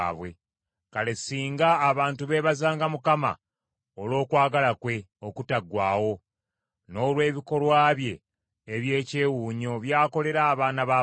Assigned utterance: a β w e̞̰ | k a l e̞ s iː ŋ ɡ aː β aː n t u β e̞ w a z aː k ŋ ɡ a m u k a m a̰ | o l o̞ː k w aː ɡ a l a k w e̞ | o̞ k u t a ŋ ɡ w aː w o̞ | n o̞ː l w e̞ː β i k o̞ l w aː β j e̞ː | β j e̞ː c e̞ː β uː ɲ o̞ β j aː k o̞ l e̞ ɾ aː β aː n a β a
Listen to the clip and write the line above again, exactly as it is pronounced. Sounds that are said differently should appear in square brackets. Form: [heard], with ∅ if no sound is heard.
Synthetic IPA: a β w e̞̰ | k a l e̞ s iː ŋ ɡ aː β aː n t u β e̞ [β] a z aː [∅] ŋ ɡ a m u k a m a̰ | o l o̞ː k w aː ɡ a l a k w e̞ | o̞ k u t a [∅] ɡ w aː w o̞ | n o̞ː l w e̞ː β i k o̞ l w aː β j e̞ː | β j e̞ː c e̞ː [w] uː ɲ o̞ β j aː k o̞ l e̞ ɾ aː β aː n a β a